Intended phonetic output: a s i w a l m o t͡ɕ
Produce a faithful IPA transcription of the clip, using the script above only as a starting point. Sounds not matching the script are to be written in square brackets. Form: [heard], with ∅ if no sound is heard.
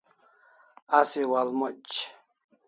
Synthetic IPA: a s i w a l m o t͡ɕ